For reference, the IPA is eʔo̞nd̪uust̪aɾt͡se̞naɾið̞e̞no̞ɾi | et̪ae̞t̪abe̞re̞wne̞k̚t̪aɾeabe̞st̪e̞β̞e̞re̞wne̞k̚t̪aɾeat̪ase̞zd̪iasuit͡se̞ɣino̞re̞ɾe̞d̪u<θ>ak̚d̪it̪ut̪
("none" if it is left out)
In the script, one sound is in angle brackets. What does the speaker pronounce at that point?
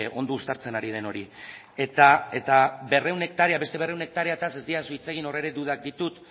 ð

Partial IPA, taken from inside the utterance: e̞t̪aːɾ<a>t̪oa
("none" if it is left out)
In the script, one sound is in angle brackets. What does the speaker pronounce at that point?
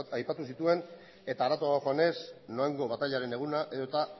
a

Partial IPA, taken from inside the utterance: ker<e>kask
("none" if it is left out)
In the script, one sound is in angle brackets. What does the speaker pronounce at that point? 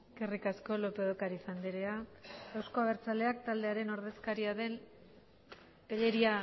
i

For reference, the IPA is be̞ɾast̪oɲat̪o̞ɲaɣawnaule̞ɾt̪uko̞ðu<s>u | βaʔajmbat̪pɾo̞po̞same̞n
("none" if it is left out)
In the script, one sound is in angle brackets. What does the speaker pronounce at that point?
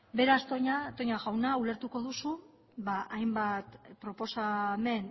s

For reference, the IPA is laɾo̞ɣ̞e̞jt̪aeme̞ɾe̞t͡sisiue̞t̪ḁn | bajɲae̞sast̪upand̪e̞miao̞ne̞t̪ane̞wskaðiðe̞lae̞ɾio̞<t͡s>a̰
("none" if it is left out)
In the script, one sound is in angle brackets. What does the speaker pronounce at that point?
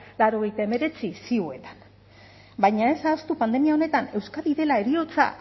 t͡s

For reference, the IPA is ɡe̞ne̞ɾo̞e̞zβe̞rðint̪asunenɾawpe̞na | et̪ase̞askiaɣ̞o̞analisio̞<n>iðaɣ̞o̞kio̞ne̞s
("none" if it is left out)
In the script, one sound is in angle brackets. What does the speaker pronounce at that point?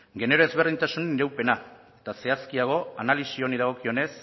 n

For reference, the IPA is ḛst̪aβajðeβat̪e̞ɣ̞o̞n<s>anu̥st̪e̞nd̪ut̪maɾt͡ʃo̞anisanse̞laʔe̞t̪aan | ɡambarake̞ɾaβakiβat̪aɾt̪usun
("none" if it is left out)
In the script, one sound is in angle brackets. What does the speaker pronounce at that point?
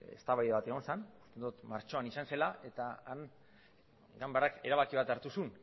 s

